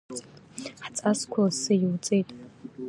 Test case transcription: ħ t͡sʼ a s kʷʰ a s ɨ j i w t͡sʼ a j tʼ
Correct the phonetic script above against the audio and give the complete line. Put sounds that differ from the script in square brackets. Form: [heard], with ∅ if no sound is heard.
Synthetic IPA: ħ t͡sʼ a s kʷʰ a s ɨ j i w t͡sʼ [e] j tʼ